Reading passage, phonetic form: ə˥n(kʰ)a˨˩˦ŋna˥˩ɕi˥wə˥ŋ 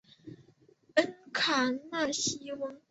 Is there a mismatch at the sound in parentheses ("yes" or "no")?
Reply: no